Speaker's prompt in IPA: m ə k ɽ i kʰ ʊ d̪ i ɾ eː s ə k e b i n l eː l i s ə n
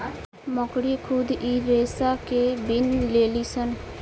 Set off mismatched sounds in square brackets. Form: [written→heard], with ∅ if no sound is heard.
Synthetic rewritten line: m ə k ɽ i kʰ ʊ d̪ i ɾ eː s [ə→a] k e b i n l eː l i s ə n